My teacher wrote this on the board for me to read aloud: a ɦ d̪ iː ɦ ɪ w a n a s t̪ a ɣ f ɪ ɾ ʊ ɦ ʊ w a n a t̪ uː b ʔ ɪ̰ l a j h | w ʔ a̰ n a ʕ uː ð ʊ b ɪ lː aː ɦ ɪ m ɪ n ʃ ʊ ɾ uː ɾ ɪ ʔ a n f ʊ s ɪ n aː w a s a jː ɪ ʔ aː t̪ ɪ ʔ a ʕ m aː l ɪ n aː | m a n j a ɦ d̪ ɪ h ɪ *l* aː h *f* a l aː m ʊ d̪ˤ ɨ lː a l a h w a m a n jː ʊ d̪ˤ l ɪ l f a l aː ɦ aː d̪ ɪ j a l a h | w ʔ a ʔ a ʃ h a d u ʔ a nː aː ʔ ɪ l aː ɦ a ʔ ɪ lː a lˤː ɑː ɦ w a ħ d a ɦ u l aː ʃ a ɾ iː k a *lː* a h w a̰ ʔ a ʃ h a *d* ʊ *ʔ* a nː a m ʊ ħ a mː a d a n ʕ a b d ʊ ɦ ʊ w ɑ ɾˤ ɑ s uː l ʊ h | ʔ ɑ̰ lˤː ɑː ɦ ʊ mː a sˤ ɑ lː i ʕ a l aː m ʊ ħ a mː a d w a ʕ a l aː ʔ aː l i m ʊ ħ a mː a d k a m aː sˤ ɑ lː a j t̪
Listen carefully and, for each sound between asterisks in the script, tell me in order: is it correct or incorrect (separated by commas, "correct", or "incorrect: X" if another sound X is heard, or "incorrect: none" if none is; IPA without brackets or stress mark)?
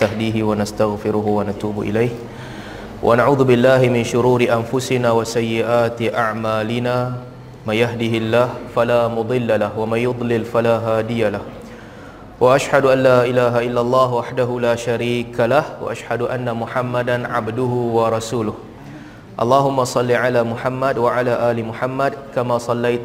incorrect: lː, correct, incorrect: l, correct, correct